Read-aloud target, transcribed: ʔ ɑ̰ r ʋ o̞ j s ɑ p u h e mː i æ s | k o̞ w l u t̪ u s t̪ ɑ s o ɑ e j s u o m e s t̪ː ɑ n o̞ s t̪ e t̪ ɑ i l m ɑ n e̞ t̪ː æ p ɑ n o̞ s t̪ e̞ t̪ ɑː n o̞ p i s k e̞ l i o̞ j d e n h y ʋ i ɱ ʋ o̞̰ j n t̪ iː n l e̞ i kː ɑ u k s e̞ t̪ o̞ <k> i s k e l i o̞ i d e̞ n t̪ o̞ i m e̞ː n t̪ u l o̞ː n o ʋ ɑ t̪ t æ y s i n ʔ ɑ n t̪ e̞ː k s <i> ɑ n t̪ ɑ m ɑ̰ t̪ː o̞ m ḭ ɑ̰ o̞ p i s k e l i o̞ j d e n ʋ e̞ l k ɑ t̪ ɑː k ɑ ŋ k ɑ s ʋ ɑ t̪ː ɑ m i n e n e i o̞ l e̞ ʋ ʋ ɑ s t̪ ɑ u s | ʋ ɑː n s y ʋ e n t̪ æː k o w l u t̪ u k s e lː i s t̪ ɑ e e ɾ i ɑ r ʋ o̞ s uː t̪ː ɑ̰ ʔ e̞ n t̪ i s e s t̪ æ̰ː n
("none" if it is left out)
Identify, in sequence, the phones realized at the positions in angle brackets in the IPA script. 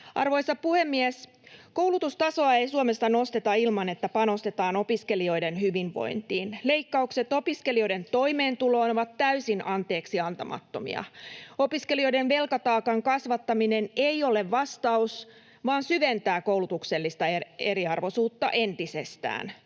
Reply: p, i

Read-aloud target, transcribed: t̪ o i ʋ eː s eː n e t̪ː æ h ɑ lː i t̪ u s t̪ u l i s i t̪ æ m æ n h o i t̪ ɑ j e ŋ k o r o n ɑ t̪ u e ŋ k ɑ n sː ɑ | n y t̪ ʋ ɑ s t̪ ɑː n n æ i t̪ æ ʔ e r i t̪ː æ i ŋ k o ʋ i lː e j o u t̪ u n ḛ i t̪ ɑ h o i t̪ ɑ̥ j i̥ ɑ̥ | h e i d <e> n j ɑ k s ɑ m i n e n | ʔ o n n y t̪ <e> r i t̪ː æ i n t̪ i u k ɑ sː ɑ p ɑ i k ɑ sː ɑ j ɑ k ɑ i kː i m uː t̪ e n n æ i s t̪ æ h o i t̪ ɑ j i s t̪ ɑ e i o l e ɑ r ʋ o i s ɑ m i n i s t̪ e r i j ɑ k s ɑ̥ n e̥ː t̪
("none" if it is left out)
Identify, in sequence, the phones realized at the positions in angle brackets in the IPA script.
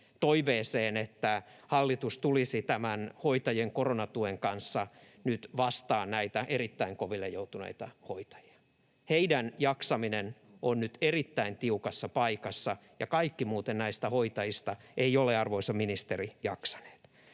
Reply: æ, e

